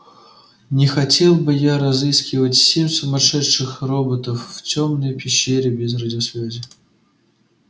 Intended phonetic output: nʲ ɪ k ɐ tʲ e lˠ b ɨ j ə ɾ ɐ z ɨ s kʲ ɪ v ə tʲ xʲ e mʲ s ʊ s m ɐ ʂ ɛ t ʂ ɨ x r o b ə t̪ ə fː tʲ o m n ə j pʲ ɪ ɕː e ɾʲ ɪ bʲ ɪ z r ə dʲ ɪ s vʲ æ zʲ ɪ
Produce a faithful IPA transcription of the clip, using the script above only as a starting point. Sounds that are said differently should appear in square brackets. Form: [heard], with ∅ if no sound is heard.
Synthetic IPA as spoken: nʲ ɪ [x] ɐ tʲ e lˠ b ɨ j [a] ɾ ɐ z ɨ s kʲ ɪ v ə tʲ [sʲ] e mʲ s ʊ [∅] m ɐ ʂ ɛ t ʂ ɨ x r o b ə t̪ ə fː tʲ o m n ə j pʲ ɪ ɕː e ɾʲ ɪ bʲ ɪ z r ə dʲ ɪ s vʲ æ zʲ ɪ